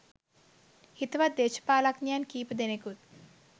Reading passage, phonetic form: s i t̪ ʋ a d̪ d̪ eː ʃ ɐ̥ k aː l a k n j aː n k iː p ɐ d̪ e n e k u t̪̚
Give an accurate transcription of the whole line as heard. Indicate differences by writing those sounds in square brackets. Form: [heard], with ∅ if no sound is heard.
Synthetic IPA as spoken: [h] i t̪ ʋ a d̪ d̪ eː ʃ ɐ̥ [p] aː l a k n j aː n k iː p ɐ d̪ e n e k u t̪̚